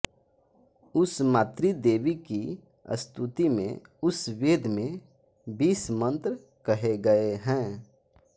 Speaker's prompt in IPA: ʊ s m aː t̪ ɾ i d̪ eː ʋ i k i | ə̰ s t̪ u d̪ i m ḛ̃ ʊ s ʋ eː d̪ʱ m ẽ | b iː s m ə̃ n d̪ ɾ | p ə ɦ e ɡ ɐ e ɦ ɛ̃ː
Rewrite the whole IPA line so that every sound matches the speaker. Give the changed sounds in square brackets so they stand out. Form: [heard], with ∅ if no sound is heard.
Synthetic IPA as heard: ʊ s m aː t̪ ɾ i d̪ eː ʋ i k i | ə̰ s t̪ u [t̪] i m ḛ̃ ʊ s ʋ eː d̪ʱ m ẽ | b iː s m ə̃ n [t̪] ɾ | [k] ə ɦ e ɡ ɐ e ɦ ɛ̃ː